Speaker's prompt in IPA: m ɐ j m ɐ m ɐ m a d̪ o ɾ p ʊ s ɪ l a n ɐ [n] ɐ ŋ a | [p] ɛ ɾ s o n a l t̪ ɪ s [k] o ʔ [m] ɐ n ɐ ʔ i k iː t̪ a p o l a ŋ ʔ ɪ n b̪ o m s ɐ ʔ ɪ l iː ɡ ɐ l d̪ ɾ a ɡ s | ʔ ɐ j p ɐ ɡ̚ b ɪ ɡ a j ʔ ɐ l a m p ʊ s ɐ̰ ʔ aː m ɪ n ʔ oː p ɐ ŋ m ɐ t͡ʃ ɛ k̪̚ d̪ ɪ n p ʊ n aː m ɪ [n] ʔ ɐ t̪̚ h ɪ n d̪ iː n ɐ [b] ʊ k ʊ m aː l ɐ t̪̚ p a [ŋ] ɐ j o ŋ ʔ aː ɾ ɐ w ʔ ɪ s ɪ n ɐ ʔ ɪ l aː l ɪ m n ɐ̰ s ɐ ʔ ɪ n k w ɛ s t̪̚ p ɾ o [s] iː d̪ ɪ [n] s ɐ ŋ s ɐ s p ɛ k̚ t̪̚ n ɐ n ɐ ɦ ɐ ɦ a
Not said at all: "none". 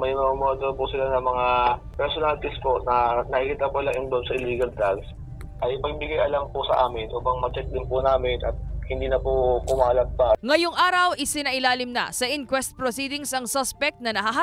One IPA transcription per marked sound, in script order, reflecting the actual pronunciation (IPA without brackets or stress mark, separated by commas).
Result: m, p, p, n, n, p, ŋ, s, ŋ